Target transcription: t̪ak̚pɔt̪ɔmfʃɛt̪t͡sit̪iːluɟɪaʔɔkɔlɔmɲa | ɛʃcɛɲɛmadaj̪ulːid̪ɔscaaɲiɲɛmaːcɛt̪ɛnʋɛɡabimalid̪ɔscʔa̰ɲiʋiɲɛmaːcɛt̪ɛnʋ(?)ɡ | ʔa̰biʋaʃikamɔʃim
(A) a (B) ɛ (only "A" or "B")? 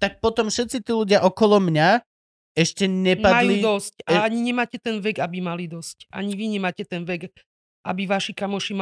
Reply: B